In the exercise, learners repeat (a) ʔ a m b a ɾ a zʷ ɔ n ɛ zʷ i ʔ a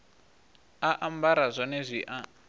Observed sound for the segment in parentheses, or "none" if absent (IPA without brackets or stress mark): a